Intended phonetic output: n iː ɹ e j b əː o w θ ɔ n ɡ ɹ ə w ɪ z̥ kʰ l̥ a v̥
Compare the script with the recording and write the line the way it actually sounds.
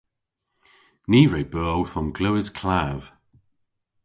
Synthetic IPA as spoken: n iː ɹ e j b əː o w θ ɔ n ɡ l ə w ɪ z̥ kʰ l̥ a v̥